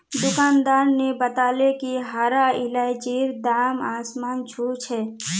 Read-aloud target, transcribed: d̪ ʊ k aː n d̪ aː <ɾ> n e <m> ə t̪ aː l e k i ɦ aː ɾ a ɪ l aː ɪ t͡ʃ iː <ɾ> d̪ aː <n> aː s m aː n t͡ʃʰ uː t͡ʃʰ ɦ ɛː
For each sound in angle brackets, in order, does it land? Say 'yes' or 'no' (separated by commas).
yes, no, yes, no